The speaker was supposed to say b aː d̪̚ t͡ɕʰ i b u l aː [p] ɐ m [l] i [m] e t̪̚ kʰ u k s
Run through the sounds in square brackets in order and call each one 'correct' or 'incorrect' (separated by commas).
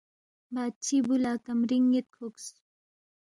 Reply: incorrect, incorrect, incorrect